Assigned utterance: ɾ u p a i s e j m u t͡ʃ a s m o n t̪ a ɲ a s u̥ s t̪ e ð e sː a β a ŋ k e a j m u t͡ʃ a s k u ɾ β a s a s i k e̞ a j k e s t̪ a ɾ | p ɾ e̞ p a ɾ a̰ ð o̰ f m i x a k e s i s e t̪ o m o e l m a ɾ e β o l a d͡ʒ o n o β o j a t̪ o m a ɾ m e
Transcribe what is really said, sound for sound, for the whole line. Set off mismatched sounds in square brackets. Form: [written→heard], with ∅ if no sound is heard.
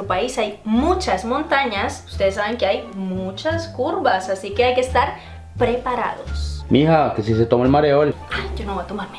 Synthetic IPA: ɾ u p a i s [e→a] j m u t͡ʃ a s m o n t̪ a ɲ a s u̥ s t̪ e ð e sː a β [a→e] ŋ k e a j m u t͡ʃ a s k u ɾ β a s a s i k e̞ a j k e s t̪ a ɾ | p ɾ e̞ p a ɾ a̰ ð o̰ [f→s] m i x a k e s i s e t̪ o m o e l m a ɾ e [β→∅] o l a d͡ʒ o n o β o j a t̪ o m a ɾ m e